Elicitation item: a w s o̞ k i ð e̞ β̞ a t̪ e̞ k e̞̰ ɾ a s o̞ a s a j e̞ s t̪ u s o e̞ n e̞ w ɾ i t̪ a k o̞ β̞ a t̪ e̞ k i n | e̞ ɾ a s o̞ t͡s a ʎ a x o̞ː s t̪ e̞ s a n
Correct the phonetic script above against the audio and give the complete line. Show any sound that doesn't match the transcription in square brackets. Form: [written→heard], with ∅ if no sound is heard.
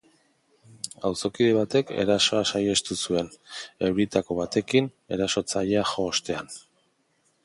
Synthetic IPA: a w s o̞ k i ð e̞ β̞ a t̪ e̞ k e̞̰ ɾ a s o̞ a s a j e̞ s t̪ u s [o→u] e̞ n e̞ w ɾ i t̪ a k o̞ β̞ a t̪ e̞ k i n | e̞ ɾ a s o̞ t͡s a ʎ a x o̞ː s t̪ e̞ [s→∅] a n